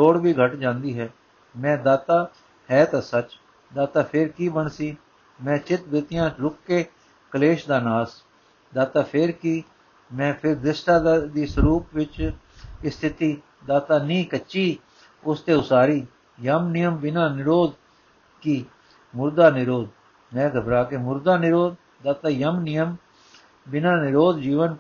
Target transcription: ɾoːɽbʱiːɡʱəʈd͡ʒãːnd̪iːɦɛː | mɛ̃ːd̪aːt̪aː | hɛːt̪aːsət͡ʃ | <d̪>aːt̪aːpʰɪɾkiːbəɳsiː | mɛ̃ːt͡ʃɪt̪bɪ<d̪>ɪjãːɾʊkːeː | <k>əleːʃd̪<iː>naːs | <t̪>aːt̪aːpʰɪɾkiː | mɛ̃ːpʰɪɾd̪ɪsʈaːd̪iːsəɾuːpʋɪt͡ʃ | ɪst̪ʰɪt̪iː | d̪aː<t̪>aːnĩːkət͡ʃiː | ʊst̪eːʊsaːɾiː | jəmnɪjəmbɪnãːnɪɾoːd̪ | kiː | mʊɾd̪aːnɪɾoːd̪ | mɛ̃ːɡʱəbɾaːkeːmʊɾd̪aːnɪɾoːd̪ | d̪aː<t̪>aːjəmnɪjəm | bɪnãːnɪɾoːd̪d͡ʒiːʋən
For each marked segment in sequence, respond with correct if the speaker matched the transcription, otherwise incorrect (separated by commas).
correct, incorrect, correct, incorrect, incorrect, correct, correct